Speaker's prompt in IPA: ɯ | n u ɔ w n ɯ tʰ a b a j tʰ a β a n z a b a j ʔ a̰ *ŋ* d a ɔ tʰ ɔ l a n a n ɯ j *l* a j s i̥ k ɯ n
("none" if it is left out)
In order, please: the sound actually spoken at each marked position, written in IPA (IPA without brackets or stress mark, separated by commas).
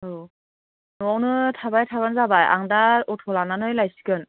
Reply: ŋ, l